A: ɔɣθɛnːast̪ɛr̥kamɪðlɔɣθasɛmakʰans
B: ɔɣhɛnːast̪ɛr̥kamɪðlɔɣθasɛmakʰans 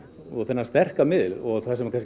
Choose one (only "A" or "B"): A